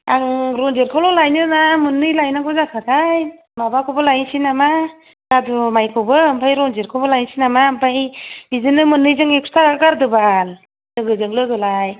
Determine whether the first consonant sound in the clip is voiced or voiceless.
voiced